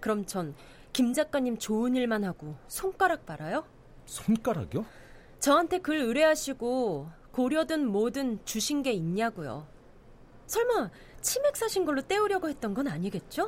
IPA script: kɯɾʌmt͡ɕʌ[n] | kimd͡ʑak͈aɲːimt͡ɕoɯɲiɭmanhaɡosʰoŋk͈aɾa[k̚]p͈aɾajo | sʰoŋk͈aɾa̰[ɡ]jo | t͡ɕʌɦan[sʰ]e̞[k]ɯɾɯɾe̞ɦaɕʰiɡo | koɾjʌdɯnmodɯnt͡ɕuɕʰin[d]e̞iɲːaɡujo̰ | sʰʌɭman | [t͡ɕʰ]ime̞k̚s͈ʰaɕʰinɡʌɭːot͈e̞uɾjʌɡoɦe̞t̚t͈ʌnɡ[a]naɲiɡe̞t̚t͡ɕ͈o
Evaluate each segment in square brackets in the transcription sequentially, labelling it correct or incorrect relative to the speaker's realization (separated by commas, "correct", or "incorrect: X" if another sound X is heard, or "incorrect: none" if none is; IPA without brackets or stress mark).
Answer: correct, correct, correct, incorrect: tʰ, correct, incorrect: ɡ, correct, incorrect: ʌ